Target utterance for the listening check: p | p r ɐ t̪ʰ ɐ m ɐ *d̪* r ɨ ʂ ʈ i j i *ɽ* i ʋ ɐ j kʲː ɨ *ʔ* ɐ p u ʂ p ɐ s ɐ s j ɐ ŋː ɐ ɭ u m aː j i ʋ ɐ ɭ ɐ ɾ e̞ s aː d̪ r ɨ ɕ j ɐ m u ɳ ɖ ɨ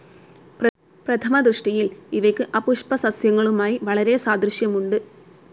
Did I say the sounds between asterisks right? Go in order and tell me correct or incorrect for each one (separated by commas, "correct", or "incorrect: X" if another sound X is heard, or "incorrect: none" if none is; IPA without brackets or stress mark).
correct, incorrect: l, correct